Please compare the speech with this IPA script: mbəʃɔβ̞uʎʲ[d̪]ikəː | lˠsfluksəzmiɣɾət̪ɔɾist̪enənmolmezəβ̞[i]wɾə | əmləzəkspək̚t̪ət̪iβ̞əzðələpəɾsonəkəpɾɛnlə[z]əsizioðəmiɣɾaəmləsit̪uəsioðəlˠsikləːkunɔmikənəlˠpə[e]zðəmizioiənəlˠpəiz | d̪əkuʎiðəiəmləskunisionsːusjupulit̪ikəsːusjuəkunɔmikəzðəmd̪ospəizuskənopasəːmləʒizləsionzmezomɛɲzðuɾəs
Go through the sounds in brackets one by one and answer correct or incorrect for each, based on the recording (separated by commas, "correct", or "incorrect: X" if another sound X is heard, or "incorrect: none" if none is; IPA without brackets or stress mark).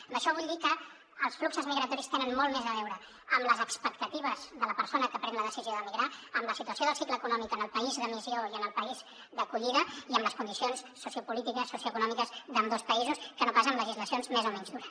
correct, incorrect: ɛ, incorrect: ð, incorrect: i